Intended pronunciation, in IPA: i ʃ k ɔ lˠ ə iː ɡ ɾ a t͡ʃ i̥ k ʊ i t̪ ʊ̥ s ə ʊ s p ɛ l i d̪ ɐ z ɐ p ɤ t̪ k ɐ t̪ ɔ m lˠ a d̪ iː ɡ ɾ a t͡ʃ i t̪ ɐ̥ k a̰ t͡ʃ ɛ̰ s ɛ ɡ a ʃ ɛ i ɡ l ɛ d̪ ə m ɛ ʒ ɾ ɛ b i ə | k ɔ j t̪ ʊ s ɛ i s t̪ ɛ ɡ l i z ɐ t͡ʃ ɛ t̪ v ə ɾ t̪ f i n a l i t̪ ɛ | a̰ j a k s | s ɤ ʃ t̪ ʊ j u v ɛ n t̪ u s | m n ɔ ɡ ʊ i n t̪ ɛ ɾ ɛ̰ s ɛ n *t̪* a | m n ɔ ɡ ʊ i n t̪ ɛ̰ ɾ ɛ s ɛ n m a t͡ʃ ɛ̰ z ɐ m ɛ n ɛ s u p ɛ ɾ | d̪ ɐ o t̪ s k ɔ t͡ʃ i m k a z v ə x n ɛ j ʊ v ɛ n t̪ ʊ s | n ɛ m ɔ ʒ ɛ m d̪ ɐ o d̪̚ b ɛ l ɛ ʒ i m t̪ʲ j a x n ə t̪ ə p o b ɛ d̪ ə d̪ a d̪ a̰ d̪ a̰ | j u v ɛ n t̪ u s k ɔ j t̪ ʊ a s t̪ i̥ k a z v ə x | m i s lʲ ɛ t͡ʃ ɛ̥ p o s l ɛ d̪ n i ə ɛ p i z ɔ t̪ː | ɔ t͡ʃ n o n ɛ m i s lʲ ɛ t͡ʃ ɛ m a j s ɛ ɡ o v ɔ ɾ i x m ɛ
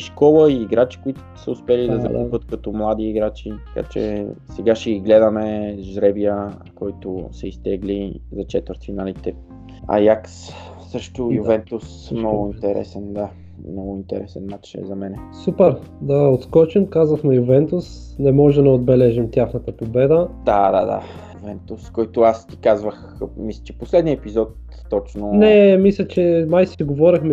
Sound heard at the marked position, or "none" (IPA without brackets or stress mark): d̪